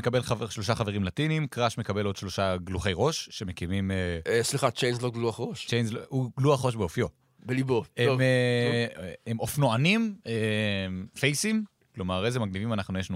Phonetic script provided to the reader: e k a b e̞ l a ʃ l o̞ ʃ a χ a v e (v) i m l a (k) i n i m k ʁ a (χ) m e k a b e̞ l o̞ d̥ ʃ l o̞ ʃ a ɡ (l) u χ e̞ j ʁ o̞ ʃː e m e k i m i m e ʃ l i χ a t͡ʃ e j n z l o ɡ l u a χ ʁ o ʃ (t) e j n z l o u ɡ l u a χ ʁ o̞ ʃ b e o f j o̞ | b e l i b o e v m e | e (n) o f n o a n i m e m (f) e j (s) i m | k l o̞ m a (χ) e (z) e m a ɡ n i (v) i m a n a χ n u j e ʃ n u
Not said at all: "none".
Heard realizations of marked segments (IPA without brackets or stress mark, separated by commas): ʁ, t, ʃ, l, t͡ʃ, m, f, s, ʁ, z, v